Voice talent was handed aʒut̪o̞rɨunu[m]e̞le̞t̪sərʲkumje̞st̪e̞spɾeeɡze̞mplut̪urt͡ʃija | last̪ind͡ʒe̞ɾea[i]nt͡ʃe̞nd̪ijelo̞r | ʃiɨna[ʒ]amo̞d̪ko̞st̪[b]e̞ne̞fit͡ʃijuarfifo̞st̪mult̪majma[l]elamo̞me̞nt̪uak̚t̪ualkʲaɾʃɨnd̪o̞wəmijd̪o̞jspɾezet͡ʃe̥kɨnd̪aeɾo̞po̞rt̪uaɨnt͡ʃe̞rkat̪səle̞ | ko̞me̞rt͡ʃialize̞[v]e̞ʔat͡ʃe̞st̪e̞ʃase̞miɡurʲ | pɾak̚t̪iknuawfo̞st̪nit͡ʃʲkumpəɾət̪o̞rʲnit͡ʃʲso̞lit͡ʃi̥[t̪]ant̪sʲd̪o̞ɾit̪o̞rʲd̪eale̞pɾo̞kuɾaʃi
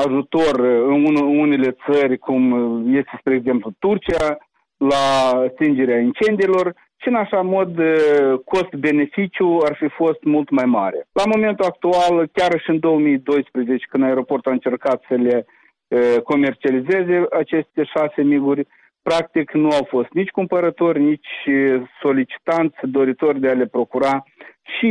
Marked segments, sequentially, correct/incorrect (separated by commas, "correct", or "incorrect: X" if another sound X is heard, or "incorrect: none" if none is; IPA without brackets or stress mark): incorrect: n, correct, incorrect: ʃ, correct, incorrect: ɾ, incorrect: z, correct